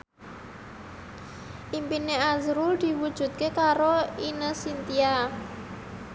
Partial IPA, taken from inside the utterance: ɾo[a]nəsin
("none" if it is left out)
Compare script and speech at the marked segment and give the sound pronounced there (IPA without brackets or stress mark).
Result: i